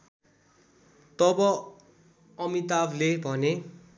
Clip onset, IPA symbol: t̪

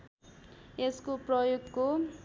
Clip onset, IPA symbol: e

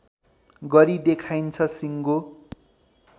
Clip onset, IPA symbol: ɡ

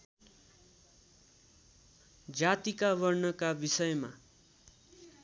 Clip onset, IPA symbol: d͡z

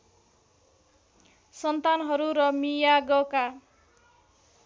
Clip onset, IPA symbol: s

